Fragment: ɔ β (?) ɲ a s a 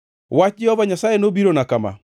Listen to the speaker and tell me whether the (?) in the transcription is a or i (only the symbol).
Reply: a